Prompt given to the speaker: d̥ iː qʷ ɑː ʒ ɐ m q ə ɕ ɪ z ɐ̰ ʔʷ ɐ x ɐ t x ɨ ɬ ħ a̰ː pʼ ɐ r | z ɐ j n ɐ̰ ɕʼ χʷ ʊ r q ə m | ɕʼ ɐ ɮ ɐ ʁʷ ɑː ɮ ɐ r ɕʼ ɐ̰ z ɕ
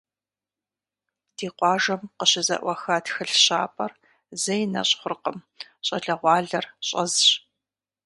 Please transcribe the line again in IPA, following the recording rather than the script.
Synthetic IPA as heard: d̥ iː qʷ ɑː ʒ ɐ m q ə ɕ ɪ z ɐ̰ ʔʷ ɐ x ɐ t x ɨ ɬ ɕ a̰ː pʼ ɐ r | z ɐ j n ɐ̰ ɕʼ χʷ ʊ r q ə m | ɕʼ ɐ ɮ ɐ ʁʷ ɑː ɮ ɐ r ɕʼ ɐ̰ z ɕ